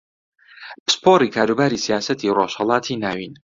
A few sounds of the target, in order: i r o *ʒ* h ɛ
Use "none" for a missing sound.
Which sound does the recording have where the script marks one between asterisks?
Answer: ʃ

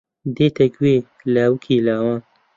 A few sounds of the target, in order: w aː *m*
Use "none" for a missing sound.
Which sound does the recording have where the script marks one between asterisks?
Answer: n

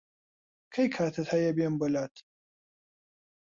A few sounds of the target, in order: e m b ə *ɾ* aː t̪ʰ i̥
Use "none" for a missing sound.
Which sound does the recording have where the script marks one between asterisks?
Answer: l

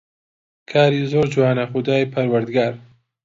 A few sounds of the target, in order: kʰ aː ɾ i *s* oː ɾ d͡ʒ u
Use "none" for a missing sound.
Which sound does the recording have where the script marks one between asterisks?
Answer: z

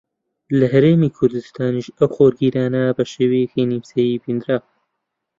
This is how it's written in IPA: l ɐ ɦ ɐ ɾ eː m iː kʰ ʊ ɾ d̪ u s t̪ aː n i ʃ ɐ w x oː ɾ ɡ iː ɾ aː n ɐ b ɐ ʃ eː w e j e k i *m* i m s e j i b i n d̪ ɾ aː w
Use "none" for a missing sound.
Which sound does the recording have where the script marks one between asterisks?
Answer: n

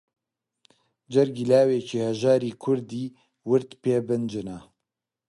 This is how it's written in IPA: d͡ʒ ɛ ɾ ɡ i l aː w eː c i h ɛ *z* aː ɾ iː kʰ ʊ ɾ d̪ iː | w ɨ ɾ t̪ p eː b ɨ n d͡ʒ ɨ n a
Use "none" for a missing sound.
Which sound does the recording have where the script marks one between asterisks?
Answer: ʒ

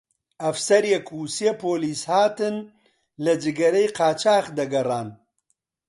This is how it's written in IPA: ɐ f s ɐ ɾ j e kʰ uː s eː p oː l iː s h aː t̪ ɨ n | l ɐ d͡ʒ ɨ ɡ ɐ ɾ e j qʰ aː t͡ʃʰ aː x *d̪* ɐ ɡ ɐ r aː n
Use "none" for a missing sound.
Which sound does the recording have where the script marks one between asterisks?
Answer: d̪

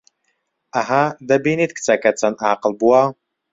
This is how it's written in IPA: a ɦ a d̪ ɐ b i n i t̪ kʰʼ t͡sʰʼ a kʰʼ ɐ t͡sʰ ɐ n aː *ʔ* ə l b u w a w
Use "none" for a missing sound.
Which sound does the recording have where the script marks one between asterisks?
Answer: q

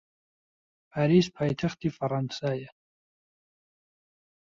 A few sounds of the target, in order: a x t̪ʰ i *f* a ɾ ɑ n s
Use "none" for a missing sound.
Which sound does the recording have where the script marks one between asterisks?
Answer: f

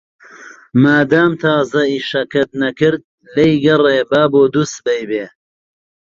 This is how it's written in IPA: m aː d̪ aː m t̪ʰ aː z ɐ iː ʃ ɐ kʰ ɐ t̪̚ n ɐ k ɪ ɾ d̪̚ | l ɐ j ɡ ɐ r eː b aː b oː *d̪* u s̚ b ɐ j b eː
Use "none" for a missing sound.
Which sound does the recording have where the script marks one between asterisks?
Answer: d̪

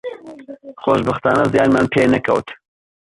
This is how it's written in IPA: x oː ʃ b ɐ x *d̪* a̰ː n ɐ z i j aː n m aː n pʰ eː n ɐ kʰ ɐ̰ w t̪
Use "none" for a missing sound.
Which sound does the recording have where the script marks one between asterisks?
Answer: t̪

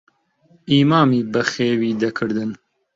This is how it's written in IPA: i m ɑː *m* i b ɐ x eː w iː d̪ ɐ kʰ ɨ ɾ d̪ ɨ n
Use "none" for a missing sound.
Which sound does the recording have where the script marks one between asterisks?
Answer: m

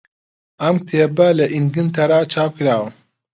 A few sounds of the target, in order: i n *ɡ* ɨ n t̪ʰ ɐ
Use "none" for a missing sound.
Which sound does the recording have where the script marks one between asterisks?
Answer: ɡ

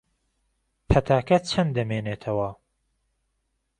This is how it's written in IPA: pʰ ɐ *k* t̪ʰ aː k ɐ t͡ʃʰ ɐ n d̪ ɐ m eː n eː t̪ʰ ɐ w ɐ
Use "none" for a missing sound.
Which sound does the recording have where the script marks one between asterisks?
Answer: none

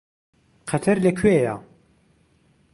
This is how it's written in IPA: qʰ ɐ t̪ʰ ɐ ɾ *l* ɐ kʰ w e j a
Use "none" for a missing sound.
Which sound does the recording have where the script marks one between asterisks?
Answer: l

